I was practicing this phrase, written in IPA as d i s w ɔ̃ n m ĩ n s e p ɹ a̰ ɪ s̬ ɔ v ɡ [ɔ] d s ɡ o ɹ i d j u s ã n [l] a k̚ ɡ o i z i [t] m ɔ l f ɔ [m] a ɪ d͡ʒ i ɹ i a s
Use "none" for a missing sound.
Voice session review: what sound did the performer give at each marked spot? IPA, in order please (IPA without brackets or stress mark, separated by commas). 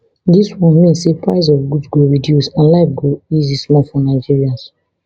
u, l, s, n